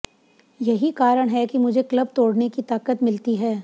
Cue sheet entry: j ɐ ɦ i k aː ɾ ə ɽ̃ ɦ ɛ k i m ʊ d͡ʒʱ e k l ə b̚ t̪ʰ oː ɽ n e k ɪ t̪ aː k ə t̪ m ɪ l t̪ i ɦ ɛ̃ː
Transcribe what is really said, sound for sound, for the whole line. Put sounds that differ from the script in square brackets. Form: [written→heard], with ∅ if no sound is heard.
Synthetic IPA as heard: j ɐ ɦ i k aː ɾ ə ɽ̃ ɦ ɛ k i m ʊ d͡ʒʱ e k l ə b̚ [t̪ʰ→t̪] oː ɽ n e k [ɪ→i] t̪ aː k ə t̪ m ɪ l t̪ i ɦ [ɛ̃ː→ɛː]

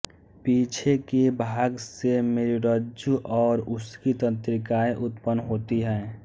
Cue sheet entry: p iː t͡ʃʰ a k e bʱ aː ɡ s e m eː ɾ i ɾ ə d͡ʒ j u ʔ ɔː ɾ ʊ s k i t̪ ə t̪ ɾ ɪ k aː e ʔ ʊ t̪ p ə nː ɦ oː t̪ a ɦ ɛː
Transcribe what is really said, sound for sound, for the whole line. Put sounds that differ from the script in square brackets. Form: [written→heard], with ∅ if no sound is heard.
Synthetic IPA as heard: p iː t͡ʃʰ [a→e] k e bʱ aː ɡ s e m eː ɾ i ɾ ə d͡ʒ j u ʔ ɔː ɾ ʊ s k i t̪ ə t̪ ɾ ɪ k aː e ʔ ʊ t̪ p ə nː ɦ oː t̪ [a→i] ɦ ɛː

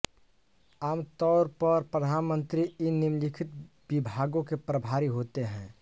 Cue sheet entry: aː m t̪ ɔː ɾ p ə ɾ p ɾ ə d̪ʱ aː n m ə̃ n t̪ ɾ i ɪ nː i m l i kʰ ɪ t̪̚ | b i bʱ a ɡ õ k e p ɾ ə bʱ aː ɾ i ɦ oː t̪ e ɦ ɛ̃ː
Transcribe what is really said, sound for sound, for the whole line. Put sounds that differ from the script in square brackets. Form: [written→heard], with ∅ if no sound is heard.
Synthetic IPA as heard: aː m t̪ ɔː ɾ p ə ɾ p ɾ ə d̪ʱ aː n m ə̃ n t̪ ɾ i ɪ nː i m l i kʰ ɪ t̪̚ | b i bʱ a ɡ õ k e p ɾ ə bʱ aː ɾ i ɦ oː t̪ e ɦ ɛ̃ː

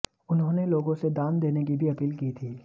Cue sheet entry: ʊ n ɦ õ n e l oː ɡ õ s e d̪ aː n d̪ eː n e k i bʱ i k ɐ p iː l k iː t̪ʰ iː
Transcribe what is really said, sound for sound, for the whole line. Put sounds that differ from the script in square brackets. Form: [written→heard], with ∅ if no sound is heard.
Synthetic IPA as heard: ʊ n ɦ õ n e l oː ɡ õ s e d̪ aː n d̪ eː n e k i bʱ i [k→∅] ɐ p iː l k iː t̪ʰ iː

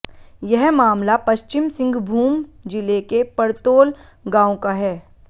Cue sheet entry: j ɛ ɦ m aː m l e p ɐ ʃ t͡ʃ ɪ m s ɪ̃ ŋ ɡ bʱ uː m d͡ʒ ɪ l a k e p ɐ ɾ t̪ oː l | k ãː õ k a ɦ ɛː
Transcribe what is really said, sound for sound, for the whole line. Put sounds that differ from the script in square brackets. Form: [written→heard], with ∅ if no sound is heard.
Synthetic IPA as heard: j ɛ ɦ m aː m l [e→a] p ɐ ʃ t͡ʃ ɪ m s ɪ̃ ŋ ɡ bʱ uː m d͡ʒ ɪ l [a→e] k e p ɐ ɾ t̪ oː l | [k→ɡ] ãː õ k a ɦ ɛː

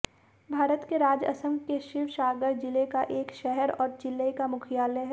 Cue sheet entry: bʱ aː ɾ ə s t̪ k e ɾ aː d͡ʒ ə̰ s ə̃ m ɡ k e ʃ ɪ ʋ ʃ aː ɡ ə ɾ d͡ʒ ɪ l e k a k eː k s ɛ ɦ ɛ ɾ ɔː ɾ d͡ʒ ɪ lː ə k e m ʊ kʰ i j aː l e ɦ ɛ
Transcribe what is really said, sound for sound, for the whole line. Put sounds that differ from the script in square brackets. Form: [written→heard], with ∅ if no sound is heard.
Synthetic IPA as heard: bʱ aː ɾ ə [s→∅] t̪ k e ɾ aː d͡ʒ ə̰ s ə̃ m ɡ k e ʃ ɪ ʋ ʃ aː ɡ ə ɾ d͡ʒ ɪ l e k a [k→ʔ] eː k [s→ʃ] ɛ ɦ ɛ ɾ ɔː ɾ d͡ʒ ɪ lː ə k [e→a] m ʊ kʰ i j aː l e ɦ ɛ

